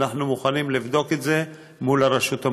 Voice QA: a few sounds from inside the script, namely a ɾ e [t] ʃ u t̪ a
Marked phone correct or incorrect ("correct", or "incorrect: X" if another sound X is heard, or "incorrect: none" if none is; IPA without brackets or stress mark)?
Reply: incorrect: none